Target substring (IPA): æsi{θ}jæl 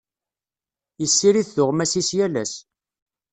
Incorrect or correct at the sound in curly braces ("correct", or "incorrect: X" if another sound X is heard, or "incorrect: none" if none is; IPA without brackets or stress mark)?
incorrect: s